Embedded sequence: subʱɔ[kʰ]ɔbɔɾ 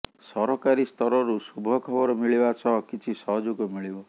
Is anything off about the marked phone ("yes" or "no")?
no